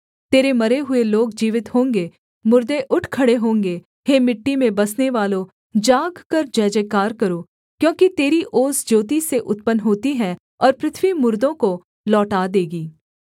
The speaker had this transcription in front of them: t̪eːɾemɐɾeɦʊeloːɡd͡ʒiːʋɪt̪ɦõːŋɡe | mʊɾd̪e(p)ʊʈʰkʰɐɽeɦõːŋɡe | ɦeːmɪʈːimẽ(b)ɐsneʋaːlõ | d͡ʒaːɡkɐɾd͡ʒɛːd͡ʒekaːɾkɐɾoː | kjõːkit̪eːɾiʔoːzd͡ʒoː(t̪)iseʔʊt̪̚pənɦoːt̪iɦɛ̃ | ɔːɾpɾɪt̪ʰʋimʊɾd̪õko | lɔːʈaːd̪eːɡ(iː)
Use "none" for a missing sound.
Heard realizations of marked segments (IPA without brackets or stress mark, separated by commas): ʔ, b, t̪, iː